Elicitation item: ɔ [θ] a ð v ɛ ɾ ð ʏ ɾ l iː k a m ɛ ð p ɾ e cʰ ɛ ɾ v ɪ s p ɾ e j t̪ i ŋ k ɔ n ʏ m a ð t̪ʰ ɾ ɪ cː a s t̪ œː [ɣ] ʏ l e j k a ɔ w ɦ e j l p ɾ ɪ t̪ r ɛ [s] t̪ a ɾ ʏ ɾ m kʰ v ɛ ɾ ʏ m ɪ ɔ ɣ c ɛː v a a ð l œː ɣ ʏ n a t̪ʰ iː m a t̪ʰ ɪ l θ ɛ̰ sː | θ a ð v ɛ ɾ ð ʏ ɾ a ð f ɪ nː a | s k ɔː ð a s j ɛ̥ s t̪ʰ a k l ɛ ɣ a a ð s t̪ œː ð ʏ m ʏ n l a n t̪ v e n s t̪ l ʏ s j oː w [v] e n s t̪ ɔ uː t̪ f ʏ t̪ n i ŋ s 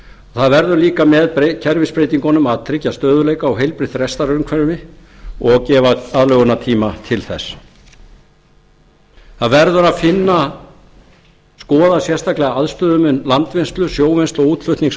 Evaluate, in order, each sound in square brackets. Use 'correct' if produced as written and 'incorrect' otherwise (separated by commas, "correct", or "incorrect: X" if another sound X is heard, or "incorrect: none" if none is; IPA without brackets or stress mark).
correct, incorrect: ð, correct, correct